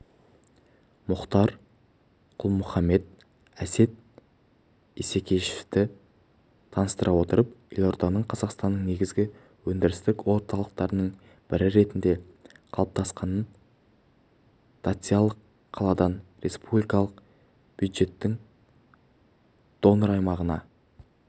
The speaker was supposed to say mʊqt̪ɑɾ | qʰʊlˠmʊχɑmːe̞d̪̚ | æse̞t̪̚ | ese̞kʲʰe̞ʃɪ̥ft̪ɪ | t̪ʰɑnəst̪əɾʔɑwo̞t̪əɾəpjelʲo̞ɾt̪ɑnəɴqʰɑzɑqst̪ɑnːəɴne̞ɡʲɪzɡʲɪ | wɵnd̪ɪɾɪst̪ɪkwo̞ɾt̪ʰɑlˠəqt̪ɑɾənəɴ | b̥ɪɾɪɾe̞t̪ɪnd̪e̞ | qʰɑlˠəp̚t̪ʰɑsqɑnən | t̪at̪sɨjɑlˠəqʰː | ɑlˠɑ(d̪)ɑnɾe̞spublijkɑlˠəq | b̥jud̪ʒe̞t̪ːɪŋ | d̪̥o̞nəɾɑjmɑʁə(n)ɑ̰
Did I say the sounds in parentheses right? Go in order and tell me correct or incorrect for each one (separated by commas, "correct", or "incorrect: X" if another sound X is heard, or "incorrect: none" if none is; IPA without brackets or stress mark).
correct, correct